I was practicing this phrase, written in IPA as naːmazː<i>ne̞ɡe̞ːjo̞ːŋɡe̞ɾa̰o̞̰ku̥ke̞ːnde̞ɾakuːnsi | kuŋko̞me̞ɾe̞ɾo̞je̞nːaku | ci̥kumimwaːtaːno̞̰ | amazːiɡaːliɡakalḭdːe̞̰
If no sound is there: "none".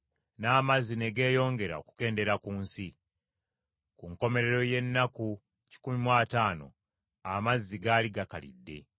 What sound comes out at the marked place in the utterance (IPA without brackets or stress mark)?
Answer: i